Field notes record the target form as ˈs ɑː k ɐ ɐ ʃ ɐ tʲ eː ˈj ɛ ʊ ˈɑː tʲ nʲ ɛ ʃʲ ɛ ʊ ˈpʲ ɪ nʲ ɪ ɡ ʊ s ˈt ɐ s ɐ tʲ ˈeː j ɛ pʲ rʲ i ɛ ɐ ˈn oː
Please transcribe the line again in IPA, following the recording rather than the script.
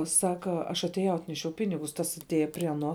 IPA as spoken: ˈs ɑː k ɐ ɐ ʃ ɐ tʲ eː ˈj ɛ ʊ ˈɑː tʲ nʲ ɛ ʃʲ ɛ ʊ ˈpʲ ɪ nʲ ɪ ɡ ʊ s ˈt ɐ s ɐ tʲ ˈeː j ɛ pʲ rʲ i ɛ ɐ ˈn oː